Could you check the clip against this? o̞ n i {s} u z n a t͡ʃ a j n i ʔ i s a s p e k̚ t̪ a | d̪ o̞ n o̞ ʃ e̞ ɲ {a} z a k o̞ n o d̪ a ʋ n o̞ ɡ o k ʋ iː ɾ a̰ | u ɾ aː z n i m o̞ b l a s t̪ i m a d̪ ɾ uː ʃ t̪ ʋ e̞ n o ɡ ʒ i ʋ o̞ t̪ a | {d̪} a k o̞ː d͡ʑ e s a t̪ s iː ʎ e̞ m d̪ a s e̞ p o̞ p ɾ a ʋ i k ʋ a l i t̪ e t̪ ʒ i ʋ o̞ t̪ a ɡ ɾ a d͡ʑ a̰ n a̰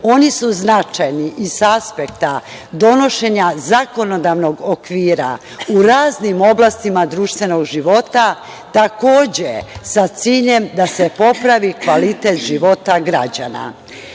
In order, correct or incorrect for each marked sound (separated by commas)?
correct, correct, incorrect